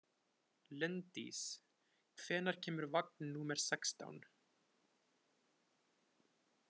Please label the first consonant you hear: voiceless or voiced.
voiced